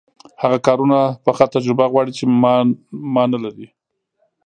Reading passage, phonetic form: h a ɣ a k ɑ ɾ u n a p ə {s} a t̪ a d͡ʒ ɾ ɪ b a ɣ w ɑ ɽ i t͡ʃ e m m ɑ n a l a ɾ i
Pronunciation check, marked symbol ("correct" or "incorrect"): incorrect